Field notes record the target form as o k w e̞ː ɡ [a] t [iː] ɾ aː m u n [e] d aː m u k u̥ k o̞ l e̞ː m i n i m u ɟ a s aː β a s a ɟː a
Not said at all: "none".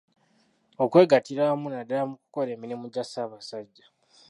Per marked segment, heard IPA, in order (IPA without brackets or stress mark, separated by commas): a, i, a